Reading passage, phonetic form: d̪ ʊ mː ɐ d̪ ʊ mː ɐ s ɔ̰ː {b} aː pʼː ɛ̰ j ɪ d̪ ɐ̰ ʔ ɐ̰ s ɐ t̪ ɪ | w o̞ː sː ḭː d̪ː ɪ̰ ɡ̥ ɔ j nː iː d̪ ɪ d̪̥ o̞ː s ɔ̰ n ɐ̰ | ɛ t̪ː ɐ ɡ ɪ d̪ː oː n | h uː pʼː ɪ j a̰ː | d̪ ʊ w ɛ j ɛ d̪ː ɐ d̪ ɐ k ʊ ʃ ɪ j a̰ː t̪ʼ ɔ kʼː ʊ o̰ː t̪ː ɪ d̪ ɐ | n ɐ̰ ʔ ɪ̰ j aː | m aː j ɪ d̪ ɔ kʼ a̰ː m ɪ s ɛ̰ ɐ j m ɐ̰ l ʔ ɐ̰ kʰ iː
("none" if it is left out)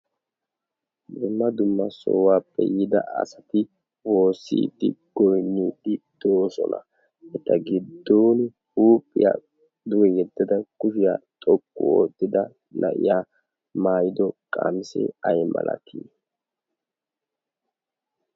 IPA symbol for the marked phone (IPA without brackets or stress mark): w